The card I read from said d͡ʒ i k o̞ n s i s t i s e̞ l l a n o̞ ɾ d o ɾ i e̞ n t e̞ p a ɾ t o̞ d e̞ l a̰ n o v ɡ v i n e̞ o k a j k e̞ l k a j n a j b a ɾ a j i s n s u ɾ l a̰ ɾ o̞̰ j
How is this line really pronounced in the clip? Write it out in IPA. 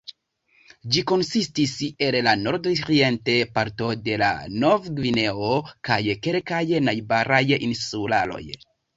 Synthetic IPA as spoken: d͡ʒ i k o̞ n s i s t i s e̞ l l a n o̞ ɾ d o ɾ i e̞ n t e̞ p a ɾ t o̞ d e̞ l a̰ n o v ɡ v i n e̞ o k a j k e̞ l k a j n a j b a ɾ a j i n s u l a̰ l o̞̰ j

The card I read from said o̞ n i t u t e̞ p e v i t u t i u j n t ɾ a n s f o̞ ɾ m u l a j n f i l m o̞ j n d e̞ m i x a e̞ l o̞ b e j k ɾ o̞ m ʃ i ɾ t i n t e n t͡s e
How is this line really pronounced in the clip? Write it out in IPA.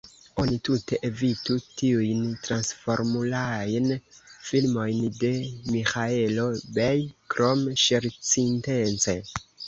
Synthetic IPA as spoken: o̞ n i t u t e̞ ʔ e v i t u t i u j n t ɾ a n s f o̞ ɾ m u l a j n f i l m o̞ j n d e̞ m i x a e̞ l o̞ b e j k ɾ o̞ m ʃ e ɾ t͡s i n t e n t͡s e

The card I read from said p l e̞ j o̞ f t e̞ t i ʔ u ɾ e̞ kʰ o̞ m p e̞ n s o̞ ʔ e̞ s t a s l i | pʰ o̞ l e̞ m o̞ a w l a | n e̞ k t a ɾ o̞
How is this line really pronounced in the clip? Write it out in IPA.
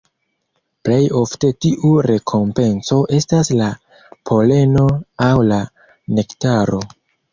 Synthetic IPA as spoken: p l e̞ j o̞ f t e̞ t i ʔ u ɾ e̞ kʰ o̞ m p e̞ n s o̞ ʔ e̞ s t a s l a | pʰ o̞ l e̞ n o̞ a w l a | n e̞ k t a ɾ o̞

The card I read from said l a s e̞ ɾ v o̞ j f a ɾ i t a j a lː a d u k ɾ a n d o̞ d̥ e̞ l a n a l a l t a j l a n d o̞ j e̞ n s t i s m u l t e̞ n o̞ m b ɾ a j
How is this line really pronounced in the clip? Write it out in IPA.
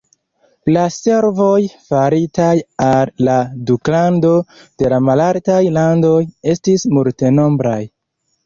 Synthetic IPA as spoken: l a s e̞ ɾ v o̞ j f a ɾ i t a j a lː a d u k l a n d o̞ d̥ e̞ l a m a l a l t a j l a n d o̞ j e̞ s t i s m u l t e̞ n o̞ m b ɾ a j

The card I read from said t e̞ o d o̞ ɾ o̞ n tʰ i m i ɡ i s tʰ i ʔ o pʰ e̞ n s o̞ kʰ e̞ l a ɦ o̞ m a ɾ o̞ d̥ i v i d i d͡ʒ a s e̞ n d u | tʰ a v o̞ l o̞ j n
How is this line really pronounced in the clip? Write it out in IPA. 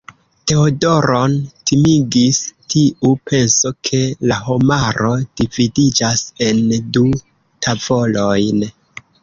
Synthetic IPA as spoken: t e̞ o d o̞ ɾ o̞ n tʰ i m i ɡ i s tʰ i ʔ u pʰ e̞ n s o̞ kʰ e̞ l a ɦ o̞ m a ɾ o̞ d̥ i v i d i d͡ʒ a s e̞ n d u | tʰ a v o̞ l o̞ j n

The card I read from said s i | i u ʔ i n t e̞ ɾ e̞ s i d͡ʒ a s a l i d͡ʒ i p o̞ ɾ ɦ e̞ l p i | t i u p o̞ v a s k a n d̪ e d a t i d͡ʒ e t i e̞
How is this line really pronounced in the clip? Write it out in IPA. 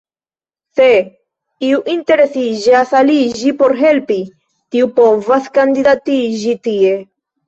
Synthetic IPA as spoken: s e | i u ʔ i n t e̞ ɾ e̞ s i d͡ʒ a s a l i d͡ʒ i p o̞ ɾ ɦ e̞ l p i | t i u p o̞ v a s k a n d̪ i d a t i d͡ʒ i t i e̞

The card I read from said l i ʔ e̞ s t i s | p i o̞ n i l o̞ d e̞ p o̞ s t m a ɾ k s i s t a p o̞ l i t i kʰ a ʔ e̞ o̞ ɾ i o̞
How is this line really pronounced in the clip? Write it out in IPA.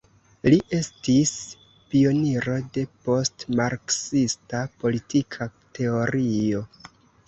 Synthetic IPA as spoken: l i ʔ e̞ s t i s | p i o̞ n i ɾ o̞ d e̞ p o̞ s t m a ɾ k s i s t a p o̞ l i t i kʰ a t e̞ o̞ ɾ i o̞

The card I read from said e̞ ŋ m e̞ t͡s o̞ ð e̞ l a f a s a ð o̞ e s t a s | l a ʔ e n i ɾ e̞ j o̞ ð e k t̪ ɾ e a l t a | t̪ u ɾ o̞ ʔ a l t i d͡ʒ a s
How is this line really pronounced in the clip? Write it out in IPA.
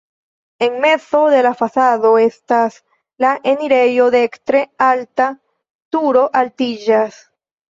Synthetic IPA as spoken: e̞ ŋ m e̞ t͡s o̞ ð e̞ l a f a s a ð o̞ e s t a s | l a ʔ e n i ɾ e̞ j o̞ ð e k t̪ ɾ e a l t a | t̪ u ɾ o̞ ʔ a l t i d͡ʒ a s

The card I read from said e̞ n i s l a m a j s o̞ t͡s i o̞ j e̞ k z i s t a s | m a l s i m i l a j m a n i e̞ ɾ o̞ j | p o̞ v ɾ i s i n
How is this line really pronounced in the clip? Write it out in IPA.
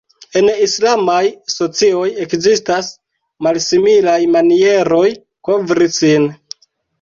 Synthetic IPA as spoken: e̞ n i s l a m a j s o̞ t͡s i o̞ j e̞ k z i s t a s | m a l s i m i l a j m a n i e̞ ɾ o̞ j | k o̞ v ɾ i s i n

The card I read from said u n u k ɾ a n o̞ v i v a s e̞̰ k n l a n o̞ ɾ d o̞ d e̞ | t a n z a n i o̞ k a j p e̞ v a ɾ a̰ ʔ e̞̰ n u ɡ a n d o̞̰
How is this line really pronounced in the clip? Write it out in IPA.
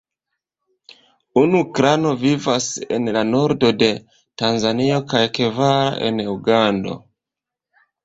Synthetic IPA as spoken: u n u k ɾ a n o̞ v i v a s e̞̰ n l a n o̞ ɾ d o̞ d e̞ | t a n z a n i o̞ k a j k e̞ v a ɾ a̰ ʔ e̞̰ n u ɡ a n d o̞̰

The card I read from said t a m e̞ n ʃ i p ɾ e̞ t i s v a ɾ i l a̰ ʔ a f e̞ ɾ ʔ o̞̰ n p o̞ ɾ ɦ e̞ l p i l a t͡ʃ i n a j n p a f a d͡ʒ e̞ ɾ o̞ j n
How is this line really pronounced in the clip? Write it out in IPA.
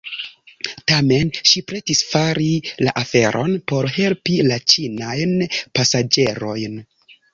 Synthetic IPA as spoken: t a m e̞ n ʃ i p ɾ e̞ t i s f a ɾ i l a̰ ʔ a f e̞ ɾ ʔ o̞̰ n p o̞ ɾ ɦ e̞ l p i l a t͡ʃ i n a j n p a s a d͡ʒ e̞ ɾ o̞ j n

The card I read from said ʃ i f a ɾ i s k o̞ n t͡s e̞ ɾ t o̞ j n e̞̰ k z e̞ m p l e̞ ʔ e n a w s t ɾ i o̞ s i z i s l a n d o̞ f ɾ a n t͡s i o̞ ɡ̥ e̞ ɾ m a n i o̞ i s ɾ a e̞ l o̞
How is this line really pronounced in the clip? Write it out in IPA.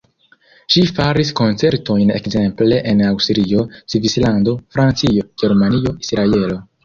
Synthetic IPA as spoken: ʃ i f a ɾ i s k o̞ n t͡s e̞ ɾ t o̞ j n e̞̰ k z e̞ m p l e̞ ʔ e n a w s t ɾ i o̞ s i v i s l a n d o̞ f ɾ a n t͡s i o̞ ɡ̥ e̞ ɾ m a n i o̞ i s ɾ a e̞ l o̞

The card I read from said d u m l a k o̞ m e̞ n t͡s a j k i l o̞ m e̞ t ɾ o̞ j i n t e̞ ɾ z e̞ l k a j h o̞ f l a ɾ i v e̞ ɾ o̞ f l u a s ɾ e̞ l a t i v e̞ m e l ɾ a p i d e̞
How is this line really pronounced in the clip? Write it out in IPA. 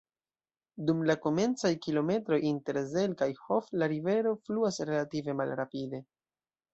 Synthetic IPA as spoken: d u m l a k o̞ m e̞ n t͡s a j k i l o̞ m e̞ t ɾ o̞ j i n t e̞ ɾ z e̞ l k a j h o̞ f l a ɾ i v e̞ ɾ o̞ f l u a s ɾ e̞ l a t i v e̞ m a l ɾ a p i d e̞

